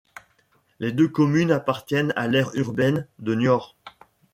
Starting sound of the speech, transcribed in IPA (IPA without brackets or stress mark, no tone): l